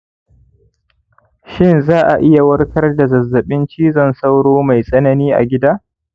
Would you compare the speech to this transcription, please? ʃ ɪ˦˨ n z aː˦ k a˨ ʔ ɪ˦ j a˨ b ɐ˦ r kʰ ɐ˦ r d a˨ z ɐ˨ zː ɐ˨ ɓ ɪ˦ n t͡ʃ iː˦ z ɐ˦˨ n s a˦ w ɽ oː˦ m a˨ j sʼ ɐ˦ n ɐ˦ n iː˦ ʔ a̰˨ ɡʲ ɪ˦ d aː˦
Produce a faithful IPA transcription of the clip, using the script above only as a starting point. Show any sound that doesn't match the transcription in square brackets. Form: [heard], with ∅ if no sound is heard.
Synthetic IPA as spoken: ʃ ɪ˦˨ n z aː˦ [ʔ] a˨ ʔ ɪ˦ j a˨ [w] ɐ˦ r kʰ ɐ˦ r d a˨ z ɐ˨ zː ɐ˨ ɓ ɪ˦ n t͡ʃ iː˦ z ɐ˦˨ n s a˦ w ɽ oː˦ m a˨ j sʼ ɐ˦ n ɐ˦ n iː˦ ʔ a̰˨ ɡʲ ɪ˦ d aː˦